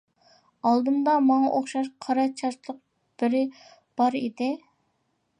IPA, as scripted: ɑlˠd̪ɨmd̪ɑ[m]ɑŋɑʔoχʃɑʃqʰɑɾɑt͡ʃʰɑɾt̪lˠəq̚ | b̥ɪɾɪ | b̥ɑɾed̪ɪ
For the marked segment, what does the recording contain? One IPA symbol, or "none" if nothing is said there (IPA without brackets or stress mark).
m